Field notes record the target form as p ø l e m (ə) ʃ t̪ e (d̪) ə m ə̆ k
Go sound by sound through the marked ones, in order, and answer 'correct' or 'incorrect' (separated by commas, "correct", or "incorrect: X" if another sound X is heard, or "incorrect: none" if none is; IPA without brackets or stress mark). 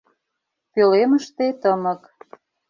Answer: correct, incorrect: t̪